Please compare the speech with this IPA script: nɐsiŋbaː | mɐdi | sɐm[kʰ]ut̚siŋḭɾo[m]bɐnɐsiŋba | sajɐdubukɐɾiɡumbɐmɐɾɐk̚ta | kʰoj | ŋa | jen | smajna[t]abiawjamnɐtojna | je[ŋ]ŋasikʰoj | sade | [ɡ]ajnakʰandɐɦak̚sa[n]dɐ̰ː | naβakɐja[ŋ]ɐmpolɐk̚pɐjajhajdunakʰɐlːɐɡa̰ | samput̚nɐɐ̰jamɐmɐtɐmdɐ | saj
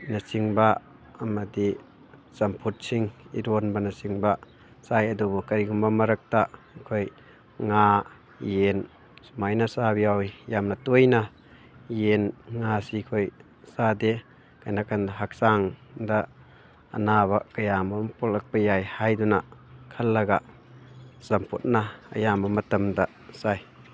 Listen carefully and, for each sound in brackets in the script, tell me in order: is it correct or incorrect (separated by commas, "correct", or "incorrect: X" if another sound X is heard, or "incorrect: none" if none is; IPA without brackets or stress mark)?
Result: incorrect: pʰ, incorrect: n, incorrect: s, incorrect: n, incorrect: k, incorrect: ŋ, incorrect: m